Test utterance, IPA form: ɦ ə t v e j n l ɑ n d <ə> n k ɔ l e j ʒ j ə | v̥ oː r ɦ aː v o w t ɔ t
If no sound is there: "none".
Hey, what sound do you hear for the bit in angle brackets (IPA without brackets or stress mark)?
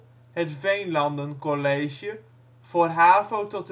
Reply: ə